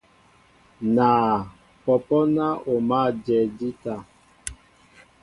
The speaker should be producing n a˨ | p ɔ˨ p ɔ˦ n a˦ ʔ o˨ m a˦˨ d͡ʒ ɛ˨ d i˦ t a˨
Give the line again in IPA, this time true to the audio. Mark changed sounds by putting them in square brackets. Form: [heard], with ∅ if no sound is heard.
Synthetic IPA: n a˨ | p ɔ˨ p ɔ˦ n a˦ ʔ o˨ m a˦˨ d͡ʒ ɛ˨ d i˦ t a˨